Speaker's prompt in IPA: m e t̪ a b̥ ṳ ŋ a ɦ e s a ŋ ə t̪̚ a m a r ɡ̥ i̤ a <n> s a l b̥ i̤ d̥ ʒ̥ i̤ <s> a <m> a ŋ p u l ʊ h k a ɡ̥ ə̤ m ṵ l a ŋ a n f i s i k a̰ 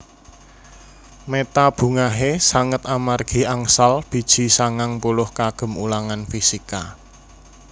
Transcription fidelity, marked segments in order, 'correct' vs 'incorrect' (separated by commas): incorrect, correct, incorrect